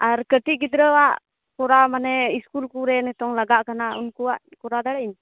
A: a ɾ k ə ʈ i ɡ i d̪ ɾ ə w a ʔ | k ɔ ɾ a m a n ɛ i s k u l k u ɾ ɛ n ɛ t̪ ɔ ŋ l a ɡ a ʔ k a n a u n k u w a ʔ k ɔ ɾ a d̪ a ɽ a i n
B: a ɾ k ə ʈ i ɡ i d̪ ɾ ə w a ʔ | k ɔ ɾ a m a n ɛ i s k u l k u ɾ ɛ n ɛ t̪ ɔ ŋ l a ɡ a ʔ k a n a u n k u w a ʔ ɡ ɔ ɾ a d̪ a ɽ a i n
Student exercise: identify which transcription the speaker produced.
A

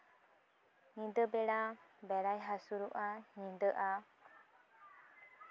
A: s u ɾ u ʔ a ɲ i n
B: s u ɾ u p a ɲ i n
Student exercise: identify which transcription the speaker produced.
A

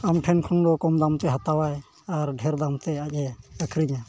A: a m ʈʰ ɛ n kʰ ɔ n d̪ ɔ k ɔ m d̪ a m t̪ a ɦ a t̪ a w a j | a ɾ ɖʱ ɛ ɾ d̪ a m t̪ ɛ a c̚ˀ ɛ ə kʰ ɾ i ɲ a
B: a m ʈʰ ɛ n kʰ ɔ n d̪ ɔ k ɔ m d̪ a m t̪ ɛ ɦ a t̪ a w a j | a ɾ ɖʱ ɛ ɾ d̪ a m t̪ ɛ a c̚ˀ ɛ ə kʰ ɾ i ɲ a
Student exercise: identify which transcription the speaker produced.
B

